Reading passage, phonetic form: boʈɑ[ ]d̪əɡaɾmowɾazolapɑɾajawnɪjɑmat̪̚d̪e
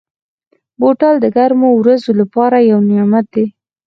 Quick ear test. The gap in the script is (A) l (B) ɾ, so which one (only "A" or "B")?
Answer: A